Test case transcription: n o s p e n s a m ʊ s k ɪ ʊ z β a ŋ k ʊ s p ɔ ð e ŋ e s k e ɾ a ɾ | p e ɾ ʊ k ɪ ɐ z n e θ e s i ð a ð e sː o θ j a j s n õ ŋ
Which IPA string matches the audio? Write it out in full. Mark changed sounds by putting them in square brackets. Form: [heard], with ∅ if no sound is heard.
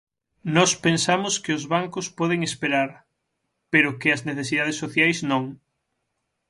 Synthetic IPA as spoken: n [ɔ] s p e n s a m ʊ s k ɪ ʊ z β a ŋ k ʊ s p ɔ ð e ŋ e s [p] e ɾ a ɾ | p e ɾ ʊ k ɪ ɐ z n e θ e s i ð a ð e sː o θ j a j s n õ ŋ